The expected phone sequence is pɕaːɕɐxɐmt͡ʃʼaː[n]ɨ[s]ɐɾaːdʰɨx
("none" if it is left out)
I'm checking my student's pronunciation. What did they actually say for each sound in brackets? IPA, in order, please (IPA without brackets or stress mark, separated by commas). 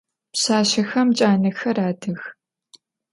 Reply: n, x